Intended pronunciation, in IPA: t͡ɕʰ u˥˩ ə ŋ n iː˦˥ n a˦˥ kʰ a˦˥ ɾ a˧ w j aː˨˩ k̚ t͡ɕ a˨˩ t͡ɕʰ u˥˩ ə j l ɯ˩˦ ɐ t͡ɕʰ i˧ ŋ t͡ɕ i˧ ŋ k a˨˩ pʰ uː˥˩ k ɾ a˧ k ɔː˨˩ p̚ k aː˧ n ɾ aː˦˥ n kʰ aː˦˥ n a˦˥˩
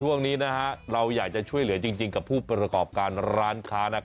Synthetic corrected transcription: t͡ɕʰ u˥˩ ə ŋ n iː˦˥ n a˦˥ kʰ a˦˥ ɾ a˧ w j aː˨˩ k̚ t͡ɕ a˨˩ t͡ɕʰ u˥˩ ə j l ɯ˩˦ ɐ t͡ɕ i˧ ŋ t͡ɕ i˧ ŋ k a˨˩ pʰ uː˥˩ p ɾ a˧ k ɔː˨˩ p̚ k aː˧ n ɾ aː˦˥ n kʰ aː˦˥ n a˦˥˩

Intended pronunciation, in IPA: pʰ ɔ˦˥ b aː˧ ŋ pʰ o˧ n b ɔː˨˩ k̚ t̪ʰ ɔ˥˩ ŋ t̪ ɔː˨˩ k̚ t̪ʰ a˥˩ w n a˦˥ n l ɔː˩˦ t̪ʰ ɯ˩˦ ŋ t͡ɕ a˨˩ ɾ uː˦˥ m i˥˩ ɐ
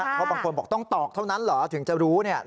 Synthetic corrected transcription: pʰ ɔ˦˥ b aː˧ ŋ kʰ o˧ n b ɔː˨˩ k̚ t̪ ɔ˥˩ ŋ t̪ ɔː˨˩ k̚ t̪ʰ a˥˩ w n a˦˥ n l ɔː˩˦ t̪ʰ ɯ˩˦ ŋ t͡ɕ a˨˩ ɾ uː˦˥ n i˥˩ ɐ

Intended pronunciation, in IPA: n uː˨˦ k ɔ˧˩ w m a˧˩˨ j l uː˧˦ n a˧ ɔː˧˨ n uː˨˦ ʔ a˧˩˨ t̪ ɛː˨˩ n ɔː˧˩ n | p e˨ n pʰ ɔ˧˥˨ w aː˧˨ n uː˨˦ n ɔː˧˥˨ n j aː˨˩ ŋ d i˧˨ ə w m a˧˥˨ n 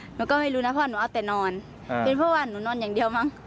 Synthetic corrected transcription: n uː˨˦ k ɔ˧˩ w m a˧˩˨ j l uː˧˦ n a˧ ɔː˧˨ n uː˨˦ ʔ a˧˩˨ t̪ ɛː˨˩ n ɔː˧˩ n | p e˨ n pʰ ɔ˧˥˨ w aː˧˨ n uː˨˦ n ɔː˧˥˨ n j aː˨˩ ŋ d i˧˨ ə w m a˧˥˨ ŋ

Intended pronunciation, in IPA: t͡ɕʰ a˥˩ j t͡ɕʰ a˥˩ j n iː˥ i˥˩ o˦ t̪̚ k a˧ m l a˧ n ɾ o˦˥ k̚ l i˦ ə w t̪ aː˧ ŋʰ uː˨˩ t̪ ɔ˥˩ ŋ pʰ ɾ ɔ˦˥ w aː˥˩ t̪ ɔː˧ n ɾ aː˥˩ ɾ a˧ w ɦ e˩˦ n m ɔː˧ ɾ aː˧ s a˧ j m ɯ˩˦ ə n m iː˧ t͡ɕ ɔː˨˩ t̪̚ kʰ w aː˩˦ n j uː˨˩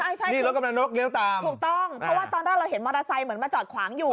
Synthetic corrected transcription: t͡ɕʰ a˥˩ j t͡ɕʰ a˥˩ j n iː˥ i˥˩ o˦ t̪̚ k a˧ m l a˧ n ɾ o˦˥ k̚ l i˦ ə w t̪ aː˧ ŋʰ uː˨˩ t̪ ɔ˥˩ ŋ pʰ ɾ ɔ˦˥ w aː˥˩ t̪ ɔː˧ n ɾ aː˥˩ ɾ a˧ w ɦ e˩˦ n m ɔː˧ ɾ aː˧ s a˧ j m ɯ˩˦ ə n m aː˧ t͡ɕ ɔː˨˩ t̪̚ kʰ w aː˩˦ ŋ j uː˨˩

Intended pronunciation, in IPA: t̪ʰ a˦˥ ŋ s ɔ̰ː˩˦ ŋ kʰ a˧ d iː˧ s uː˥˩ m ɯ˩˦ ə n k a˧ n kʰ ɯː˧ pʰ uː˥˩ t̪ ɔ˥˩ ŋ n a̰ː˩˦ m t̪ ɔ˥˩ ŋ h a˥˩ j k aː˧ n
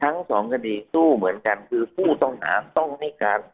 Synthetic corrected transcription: t̪ʰ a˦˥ ŋ s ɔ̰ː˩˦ ŋ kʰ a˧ d iː˧ s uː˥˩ m ɯ˩˦ ə n k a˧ n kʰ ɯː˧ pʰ uː˥˩ t̪ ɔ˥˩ ŋ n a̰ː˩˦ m t̪ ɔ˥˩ ŋ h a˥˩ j k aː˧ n

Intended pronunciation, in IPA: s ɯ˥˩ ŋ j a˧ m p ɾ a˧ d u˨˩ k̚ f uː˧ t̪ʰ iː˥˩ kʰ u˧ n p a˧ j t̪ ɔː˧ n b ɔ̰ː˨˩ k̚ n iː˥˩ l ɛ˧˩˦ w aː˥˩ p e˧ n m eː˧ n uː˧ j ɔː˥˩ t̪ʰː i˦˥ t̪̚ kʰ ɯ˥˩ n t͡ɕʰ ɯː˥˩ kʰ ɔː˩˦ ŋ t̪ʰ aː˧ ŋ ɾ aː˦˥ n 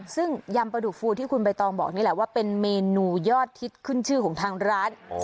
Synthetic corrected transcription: s ɯ˥˩ ŋ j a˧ m p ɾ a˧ d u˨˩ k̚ f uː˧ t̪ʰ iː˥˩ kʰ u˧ n p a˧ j t̪ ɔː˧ ŋ b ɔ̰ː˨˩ k̚ n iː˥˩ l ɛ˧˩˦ w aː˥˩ p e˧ n m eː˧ n uː˧ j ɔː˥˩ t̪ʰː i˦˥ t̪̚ kʰ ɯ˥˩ n t͡ɕʰ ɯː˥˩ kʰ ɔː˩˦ ŋ t̪ʰ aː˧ ŋ ɾ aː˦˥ n

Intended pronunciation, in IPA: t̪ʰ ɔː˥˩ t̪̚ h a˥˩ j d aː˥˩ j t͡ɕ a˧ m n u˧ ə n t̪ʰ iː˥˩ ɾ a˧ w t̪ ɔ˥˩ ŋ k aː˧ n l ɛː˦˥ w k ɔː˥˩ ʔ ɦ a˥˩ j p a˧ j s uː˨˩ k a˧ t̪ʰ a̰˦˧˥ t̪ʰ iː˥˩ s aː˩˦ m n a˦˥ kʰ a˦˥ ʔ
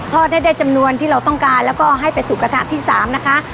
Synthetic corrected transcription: t̪ʰ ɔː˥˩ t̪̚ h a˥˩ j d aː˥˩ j t͡ɕ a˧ m n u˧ ə n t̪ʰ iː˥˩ ɾ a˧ w t̪ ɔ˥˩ ŋ k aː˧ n l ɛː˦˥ w k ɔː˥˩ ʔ ɦ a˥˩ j p a˧ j s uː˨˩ k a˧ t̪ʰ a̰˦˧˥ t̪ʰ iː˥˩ s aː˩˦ m n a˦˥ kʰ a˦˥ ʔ

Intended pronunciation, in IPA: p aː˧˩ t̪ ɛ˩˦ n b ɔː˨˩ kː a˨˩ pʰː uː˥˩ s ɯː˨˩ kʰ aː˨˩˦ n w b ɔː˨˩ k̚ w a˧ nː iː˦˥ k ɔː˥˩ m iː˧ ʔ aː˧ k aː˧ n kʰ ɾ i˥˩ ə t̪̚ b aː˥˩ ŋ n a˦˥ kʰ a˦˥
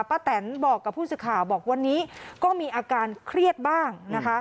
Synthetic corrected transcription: p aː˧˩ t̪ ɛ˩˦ n b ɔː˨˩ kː a˨˩ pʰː uː˥˩ s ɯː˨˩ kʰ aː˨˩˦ w b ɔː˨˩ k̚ w a˧ nː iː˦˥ k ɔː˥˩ m iː˧ ʔ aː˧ k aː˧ n kʰ ɾ i˥˩ ə t̪̚ b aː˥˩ ŋ n a˦˥ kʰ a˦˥

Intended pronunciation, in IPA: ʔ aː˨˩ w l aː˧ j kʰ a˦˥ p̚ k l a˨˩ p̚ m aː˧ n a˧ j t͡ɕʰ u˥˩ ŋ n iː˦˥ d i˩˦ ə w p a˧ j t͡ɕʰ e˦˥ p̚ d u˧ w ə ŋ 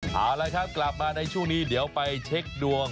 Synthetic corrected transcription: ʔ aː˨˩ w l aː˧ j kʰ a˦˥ p̚ k l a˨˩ p̚ m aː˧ n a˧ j t͡ɕʰ u˥˩ ŋ n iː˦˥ d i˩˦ ə w p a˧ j t͡ɕʰ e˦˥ k̚ d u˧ ə ŋ

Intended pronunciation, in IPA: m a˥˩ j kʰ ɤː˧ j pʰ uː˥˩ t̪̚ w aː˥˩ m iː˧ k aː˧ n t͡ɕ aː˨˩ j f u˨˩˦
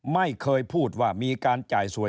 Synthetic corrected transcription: m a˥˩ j kʰ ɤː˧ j pʰ uː˥˩ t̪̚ w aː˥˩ m iː˧ k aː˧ n t͡ɕ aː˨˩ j s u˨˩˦

